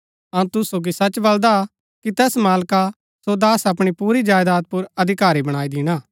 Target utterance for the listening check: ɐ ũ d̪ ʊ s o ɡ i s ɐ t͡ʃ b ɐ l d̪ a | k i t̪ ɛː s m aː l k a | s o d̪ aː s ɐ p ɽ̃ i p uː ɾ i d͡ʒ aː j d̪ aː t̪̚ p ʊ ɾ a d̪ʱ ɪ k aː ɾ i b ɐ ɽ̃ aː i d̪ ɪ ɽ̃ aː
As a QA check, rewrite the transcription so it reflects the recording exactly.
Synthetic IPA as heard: ɐ ũ t̪ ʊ s o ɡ i s ɐ t͡ʃ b ɐ l d̪ a | k i t̪ ɛː s m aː l k a | s o d̪ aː s ɐ p ɽ̃ i p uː ɾ i d͡ʒ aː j d̪ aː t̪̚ p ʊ ɾ ɐ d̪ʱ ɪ k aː ɾ i b ɐ ɽ̃ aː i d̪ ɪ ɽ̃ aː